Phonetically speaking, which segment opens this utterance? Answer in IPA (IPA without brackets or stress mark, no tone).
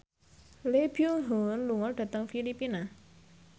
l